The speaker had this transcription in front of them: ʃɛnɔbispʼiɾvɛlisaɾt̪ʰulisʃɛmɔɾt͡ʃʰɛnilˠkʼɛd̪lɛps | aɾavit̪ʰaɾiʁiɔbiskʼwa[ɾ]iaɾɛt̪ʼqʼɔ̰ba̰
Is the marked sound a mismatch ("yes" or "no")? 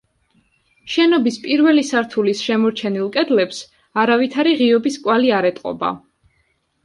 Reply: yes